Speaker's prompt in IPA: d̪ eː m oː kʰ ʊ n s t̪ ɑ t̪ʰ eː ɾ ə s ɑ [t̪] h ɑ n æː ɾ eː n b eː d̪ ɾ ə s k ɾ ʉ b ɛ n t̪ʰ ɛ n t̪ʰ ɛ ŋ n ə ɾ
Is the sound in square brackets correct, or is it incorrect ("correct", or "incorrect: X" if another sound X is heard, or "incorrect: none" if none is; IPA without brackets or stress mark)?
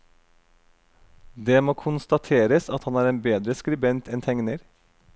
correct